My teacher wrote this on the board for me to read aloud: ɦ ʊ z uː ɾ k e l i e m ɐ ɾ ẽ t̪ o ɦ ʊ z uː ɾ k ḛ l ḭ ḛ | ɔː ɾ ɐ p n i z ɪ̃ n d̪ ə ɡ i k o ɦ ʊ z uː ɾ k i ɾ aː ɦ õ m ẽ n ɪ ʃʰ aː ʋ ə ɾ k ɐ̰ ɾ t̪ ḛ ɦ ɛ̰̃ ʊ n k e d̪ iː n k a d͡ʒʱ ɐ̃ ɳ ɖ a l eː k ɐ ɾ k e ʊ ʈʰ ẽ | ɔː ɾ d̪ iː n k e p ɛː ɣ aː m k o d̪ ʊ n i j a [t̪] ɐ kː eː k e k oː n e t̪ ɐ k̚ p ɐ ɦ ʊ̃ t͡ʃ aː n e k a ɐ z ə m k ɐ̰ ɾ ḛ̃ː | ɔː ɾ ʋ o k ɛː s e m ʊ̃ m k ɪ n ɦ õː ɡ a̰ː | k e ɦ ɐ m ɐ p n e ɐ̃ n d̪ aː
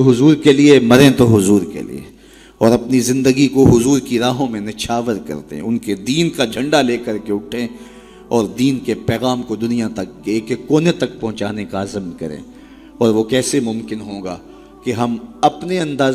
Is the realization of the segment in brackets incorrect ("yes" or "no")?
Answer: no